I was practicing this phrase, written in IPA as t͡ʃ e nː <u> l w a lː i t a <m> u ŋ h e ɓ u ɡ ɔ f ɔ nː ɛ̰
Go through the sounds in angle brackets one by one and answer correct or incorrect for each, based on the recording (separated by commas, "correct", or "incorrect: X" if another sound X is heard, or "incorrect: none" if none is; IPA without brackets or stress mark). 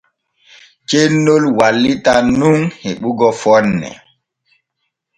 incorrect: o, incorrect: n